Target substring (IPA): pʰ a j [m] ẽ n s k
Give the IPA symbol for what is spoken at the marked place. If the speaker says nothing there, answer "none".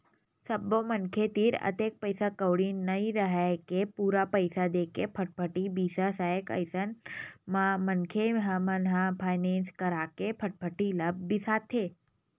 n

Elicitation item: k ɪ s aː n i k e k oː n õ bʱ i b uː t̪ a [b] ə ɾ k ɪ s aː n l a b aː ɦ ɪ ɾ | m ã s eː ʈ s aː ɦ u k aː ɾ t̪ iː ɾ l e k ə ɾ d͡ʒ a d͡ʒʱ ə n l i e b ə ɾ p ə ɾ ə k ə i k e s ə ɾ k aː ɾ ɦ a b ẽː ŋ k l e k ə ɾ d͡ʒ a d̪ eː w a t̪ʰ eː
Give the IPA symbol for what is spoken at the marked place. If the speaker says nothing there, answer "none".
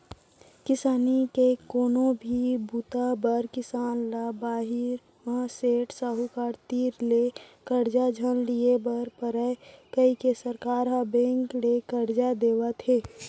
b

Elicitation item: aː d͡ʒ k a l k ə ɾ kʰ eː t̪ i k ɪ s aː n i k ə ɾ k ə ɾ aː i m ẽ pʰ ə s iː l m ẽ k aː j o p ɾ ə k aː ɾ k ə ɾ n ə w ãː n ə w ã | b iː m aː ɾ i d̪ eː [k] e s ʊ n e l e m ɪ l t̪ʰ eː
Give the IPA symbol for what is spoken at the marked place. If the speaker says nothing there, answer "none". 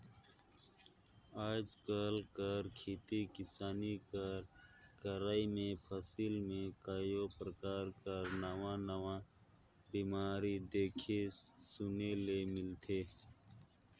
kʰ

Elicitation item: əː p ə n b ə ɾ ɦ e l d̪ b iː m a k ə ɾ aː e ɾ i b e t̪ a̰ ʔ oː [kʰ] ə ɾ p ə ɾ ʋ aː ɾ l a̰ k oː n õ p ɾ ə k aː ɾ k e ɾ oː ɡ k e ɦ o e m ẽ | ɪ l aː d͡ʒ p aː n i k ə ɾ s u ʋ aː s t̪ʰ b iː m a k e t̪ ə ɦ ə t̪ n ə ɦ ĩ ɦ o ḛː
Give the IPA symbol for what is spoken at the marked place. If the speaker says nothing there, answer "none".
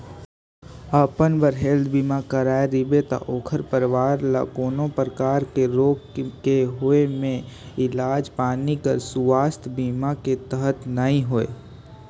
kʰ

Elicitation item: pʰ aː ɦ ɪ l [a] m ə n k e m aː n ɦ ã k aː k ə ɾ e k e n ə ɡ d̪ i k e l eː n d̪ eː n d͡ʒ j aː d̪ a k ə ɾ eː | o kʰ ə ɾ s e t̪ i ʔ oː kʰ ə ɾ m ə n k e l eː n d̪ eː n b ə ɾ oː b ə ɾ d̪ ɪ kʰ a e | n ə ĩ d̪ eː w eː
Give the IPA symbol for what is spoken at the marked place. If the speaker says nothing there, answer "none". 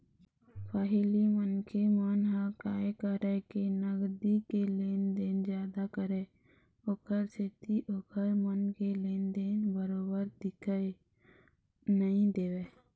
i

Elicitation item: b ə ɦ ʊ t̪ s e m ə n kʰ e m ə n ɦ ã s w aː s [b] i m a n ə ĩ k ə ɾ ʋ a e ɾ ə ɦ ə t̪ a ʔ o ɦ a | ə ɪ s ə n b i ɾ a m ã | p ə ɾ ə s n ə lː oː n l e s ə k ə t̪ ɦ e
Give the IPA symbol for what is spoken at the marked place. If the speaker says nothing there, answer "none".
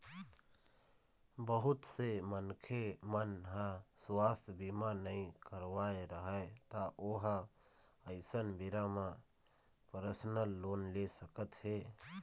b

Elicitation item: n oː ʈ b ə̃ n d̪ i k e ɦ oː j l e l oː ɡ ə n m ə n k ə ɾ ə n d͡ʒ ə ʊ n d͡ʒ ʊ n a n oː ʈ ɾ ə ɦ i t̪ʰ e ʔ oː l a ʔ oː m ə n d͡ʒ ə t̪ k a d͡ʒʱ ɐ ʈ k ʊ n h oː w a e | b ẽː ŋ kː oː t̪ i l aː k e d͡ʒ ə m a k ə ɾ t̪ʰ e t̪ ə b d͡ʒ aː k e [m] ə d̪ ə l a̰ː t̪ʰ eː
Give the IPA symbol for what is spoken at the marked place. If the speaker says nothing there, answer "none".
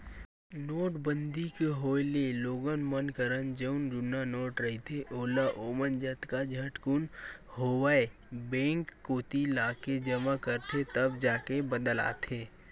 b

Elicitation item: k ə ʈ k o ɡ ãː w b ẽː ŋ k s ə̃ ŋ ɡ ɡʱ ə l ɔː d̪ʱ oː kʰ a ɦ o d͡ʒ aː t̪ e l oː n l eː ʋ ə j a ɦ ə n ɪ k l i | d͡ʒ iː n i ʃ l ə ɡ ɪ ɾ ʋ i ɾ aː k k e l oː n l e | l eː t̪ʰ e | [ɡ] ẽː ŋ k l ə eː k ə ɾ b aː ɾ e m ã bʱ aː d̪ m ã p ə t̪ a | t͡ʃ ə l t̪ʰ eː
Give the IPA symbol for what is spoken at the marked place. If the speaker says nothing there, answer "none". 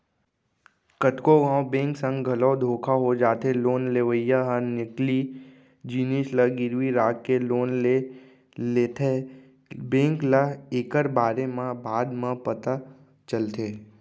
b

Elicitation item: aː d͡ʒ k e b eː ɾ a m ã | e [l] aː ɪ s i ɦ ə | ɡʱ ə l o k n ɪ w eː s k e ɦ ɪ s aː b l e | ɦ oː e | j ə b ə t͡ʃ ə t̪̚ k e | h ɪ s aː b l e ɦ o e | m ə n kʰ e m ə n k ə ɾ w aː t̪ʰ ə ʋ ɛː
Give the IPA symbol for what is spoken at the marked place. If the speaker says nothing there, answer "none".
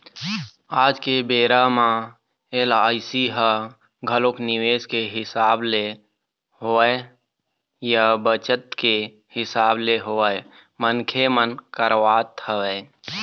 l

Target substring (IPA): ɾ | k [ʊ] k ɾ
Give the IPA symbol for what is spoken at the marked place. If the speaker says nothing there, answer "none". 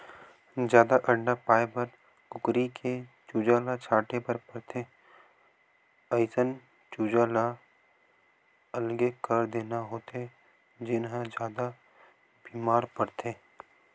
ʊ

